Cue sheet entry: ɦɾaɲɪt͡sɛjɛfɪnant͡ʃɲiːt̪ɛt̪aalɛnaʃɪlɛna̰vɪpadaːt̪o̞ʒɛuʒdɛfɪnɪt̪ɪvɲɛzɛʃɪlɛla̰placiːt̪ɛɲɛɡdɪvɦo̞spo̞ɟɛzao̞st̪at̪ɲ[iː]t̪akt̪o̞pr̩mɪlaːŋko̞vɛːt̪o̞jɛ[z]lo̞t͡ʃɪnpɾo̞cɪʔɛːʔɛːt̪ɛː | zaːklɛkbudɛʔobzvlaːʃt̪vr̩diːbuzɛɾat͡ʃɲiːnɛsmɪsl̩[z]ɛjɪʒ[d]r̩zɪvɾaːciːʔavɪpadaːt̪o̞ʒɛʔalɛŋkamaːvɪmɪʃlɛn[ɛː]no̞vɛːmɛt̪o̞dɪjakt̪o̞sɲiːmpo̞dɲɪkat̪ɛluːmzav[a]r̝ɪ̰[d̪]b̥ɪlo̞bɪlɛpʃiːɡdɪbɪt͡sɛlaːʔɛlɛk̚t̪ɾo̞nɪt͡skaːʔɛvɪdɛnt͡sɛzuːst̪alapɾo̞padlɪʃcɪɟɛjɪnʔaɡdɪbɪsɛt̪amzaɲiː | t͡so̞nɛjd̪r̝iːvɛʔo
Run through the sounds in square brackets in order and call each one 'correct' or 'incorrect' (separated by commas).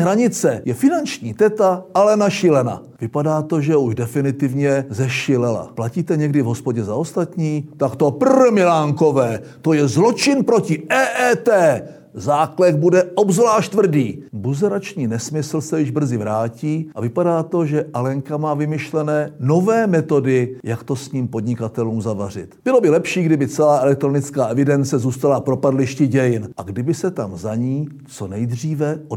correct, correct, incorrect, incorrect, correct, correct, incorrect